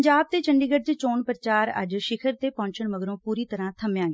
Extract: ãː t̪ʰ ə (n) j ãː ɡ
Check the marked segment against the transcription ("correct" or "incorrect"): incorrect